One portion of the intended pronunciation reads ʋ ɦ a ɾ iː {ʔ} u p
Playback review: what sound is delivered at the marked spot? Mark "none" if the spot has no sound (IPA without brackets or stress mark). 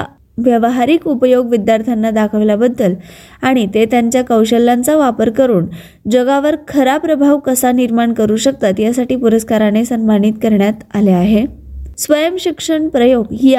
k